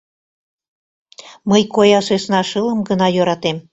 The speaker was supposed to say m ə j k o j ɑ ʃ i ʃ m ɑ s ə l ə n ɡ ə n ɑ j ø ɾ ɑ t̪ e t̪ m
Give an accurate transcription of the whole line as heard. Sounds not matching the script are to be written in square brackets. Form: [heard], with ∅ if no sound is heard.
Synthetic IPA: m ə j k o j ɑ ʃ [e] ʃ [n] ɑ [ʃ] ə l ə [m] ɡ ə n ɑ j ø ɾ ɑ t̪ e [∅] m